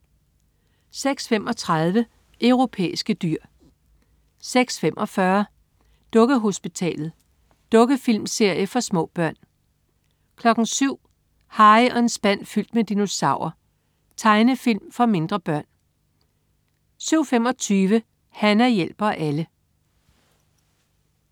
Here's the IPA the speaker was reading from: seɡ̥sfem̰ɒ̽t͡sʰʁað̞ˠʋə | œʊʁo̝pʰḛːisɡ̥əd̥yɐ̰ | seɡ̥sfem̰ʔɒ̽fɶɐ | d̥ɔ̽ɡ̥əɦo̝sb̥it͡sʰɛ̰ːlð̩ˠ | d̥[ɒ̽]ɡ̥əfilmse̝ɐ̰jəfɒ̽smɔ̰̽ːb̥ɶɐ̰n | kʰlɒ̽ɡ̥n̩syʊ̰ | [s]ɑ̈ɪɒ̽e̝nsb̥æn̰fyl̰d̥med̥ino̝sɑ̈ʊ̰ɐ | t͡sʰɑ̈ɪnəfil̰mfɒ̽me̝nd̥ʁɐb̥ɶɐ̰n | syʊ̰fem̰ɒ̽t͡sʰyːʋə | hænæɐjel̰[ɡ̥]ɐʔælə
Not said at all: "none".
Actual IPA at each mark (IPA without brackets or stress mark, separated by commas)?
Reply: ɔ̽, h, b̥